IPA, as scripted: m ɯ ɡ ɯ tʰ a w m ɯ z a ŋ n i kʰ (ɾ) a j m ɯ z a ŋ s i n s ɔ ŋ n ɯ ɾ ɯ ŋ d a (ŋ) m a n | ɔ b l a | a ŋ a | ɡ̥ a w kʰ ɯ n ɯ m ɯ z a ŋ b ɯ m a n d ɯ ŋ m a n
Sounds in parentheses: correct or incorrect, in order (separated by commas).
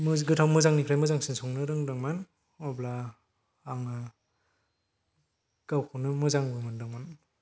correct, correct